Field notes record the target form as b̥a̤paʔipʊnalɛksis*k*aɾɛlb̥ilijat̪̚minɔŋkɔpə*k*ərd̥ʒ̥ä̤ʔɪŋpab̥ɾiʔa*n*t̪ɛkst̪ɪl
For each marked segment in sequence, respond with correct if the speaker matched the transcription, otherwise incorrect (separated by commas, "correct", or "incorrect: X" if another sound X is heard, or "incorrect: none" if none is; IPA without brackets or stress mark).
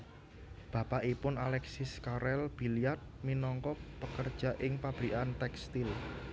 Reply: correct, correct, correct